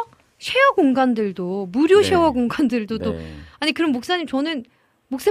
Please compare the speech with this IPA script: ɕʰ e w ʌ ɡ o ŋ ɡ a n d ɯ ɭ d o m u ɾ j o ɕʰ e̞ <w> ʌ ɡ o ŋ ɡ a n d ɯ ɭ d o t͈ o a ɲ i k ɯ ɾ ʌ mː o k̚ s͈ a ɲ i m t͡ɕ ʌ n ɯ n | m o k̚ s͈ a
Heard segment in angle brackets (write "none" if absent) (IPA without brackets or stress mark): w